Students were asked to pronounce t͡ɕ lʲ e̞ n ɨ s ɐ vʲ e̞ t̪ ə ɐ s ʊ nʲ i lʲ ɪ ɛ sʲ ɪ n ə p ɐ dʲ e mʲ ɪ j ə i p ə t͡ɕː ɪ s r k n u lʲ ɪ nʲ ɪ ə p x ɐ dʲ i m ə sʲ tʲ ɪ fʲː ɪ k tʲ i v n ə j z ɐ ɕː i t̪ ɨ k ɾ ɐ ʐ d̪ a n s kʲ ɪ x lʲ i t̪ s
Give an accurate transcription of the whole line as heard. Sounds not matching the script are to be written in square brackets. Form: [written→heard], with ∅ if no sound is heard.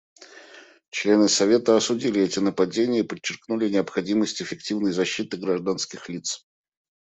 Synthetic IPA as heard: t͡ɕ lʲ e̞ n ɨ s ɐ vʲ e̞ t̪ ə ɐ s ʊ [nʲ→dʲ] i lʲ ɪ ɛ [sʲ→tʲ] ɪ n ə p ɐ dʲ e [mʲ→nʲ] ɪ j ə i p ə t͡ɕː ɪ [s→∅] r k n u lʲ ɪ nʲ ɪ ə p x ɐ dʲ i m ə sʲ tʲ ɪ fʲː ɪ k tʲ i v n ə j z ɐ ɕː i t̪ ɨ [k→ɡ] ɾ ɐ ʐ d̪ a n s kʲ ɪ x lʲ i t̪ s